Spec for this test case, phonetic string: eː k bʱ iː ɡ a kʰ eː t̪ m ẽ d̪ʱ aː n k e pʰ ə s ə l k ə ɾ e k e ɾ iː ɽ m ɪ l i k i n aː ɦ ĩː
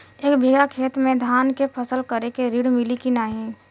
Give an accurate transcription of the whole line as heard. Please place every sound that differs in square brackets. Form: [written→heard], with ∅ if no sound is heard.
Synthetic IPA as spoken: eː k bʱ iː ɡ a kʰ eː t̪ m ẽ d̪ʱ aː n k e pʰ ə s ə l k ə ɾ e k e ɾ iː ɽ m ɪ l i k i n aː ɦ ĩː